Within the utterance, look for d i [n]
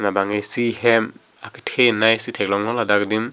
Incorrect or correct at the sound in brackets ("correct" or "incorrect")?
incorrect